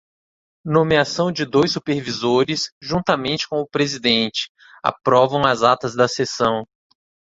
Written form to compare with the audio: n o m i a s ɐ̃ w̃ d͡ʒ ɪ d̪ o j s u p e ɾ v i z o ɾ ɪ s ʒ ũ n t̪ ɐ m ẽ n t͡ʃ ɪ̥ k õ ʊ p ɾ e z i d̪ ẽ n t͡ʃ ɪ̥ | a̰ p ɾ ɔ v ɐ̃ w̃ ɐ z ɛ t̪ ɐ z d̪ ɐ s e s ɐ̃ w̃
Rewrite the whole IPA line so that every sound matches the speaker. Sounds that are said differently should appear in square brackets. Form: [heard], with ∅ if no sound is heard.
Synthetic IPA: n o m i a s ɐ̃ w̃ d͡ʒ ɪ d̪ o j s u p e ɾ v i z o ɾ ɪ s ʒ ũ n t̪ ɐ m ẽ n t͡ʃ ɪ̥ k õ ʊ p ɾ e z i d̪ ẽ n t͡ʃ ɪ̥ | a̰ p ɾ ɔ v ɐ̃ w̃ ɐ z [a] t̪ ɐ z d̪ ɐ s e s ɐ̃ w̃